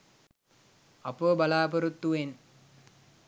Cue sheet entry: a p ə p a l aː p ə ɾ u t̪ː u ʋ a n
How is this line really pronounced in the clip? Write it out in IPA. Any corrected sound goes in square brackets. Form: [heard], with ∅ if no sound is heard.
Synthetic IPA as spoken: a p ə [b] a l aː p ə ɾ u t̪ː u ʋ [e] n